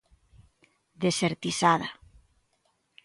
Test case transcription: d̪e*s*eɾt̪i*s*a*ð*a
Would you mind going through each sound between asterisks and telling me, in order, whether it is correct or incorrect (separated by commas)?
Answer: correct, correct, correct